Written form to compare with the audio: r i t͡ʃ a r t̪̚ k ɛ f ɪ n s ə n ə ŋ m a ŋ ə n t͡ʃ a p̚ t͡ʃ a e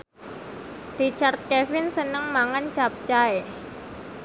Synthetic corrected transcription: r i t͡ʃ a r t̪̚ k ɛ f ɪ n s ə n ə ŋ m a ŋ a n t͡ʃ a p̚ t͡ʃ a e